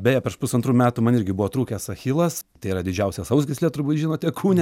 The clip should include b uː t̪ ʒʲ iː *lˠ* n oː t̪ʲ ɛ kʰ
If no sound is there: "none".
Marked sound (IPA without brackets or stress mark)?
none